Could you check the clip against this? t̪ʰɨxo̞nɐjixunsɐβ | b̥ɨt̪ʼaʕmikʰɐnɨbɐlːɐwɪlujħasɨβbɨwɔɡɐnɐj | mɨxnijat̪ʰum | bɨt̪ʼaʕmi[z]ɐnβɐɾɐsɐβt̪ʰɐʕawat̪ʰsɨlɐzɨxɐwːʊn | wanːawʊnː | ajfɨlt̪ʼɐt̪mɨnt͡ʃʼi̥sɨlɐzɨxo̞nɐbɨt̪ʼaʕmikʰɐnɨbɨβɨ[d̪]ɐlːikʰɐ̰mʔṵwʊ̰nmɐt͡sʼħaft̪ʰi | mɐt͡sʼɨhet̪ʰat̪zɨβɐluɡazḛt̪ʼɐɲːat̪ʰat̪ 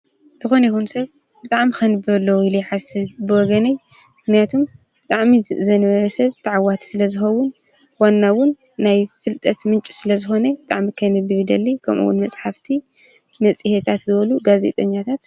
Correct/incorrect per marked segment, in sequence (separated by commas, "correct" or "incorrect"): correct, correct